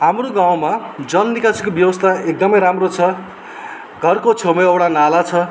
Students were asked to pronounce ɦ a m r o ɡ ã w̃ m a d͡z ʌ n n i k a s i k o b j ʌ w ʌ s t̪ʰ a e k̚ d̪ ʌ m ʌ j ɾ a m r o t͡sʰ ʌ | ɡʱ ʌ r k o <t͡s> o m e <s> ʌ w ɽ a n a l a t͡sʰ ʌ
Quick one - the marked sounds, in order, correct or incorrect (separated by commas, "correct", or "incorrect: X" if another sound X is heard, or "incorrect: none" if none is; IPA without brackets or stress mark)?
incorrect: t͡sʰ, incorrect: none